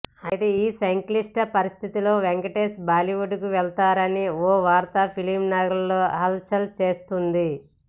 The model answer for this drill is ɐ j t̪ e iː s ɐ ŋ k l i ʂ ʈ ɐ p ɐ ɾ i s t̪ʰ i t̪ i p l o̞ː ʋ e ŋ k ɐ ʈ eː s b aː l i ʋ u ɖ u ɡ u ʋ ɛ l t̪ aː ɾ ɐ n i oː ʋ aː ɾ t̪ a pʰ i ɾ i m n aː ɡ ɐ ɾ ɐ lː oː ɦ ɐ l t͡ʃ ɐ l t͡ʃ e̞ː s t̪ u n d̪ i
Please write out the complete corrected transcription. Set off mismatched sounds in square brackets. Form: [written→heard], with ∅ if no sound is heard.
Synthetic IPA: ɐ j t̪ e iː s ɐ ŋ k l i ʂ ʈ ɐ p ɐ ɾ i s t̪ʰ i t̪ i [p→∅] l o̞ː ʋ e ŋ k ɐ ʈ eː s b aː l i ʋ u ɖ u [ɡ→k] u ʋ ɛ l t̪ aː ɾ ɐ n i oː ʋ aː ɾ t̪ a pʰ i [ɾ→l] i m n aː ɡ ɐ ɾ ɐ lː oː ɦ ɐ l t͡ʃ ɐ l t͡ʃ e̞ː s t̪ u n d̪ i